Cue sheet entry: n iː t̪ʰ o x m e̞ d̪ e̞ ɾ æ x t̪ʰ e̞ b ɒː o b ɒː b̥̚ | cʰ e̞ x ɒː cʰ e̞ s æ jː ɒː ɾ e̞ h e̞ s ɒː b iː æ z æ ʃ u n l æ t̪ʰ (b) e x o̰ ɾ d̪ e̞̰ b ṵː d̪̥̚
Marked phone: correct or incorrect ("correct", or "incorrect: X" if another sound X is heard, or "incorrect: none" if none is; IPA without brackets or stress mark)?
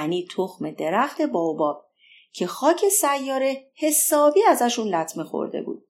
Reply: incorrect: m